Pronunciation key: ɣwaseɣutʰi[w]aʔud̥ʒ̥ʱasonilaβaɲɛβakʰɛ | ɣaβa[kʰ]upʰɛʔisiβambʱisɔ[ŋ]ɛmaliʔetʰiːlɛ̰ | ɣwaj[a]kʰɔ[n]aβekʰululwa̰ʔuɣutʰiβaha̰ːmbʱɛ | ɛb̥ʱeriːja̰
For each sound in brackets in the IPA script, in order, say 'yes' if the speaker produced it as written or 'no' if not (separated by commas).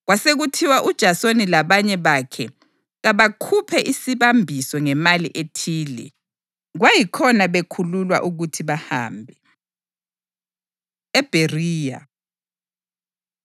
yes, yes, yes, no, yes